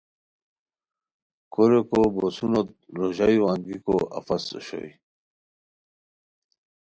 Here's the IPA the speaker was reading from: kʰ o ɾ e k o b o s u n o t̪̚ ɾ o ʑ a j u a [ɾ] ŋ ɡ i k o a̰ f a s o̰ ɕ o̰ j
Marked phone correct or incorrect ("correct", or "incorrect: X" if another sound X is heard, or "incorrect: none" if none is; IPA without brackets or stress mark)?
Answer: incorrect: none